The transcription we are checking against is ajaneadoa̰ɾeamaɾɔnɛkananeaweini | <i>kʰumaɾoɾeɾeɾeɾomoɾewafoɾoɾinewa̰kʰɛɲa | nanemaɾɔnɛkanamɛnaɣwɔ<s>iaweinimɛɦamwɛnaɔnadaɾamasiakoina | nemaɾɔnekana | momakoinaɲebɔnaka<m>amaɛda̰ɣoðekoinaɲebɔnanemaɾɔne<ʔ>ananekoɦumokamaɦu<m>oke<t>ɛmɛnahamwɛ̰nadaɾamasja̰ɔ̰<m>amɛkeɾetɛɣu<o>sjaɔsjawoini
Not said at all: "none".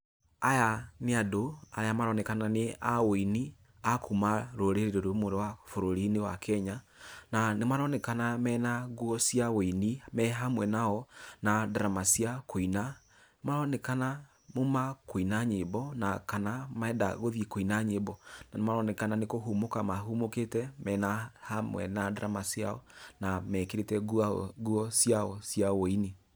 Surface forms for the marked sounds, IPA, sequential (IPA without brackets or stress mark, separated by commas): a, s, n, k, m, t, n, ɔ